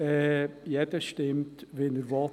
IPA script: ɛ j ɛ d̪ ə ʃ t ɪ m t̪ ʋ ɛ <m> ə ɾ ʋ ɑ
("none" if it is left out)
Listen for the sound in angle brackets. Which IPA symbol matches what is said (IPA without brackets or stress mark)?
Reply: n